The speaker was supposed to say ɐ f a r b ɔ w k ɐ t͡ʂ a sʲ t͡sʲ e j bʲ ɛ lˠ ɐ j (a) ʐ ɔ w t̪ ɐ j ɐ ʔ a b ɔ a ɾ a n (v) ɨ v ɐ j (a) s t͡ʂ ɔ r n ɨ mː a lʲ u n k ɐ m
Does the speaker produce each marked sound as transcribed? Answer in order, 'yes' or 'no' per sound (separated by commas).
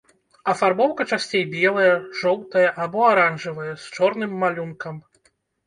no, no, no